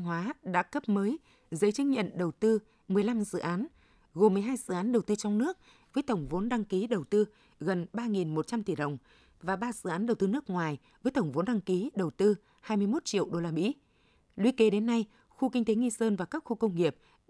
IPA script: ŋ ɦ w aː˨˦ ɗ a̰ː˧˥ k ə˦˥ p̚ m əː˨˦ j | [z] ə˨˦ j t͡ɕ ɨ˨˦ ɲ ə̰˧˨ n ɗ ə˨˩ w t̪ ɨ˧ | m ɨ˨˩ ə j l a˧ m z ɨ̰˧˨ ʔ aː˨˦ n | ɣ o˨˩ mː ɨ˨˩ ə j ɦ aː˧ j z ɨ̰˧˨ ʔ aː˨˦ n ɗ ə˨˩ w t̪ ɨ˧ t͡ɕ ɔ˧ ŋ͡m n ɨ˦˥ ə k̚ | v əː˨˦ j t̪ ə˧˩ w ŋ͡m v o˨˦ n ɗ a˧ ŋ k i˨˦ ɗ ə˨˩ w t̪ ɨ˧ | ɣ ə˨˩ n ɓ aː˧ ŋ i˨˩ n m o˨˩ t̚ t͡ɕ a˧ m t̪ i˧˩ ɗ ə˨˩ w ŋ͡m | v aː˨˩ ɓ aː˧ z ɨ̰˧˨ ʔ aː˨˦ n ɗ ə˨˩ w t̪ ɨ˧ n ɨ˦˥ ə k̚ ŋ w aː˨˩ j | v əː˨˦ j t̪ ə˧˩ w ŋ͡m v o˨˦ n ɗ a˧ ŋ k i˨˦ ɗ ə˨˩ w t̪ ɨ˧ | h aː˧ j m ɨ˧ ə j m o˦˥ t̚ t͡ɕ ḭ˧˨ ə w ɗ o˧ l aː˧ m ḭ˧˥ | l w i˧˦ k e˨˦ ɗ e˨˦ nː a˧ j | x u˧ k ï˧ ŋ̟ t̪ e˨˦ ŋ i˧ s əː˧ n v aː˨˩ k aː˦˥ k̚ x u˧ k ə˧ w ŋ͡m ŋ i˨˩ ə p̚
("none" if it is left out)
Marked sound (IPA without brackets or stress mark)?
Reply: z